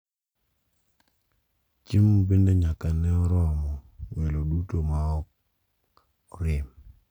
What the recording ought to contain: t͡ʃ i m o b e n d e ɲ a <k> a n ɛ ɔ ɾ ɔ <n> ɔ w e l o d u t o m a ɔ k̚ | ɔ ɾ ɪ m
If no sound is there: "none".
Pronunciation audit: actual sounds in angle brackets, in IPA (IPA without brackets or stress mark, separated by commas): k, m